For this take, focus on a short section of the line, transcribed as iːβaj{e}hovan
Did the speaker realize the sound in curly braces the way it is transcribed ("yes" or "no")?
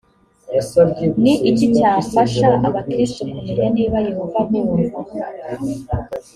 yes